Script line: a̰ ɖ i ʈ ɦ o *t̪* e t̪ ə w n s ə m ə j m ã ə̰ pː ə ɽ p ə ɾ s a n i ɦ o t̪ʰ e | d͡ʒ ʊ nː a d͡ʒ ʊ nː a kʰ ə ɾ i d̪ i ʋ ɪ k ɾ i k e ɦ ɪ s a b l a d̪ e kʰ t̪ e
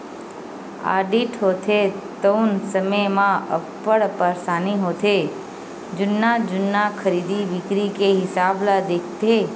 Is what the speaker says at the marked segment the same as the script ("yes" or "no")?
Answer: no